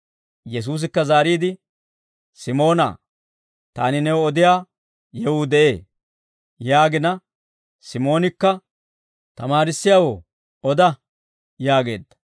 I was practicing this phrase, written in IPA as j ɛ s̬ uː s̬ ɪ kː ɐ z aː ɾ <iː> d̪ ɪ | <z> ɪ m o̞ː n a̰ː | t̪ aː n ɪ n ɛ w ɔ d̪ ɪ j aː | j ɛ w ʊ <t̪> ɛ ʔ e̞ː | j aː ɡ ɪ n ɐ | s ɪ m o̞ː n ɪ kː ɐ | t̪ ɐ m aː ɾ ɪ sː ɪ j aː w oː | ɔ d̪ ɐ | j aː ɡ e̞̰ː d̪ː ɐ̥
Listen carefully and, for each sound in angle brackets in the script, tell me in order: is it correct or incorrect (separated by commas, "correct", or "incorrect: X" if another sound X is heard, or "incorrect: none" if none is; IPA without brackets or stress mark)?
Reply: correct, incorrect: s, incorrect: d̪